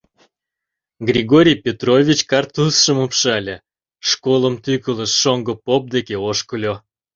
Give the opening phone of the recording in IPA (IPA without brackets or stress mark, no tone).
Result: ɡ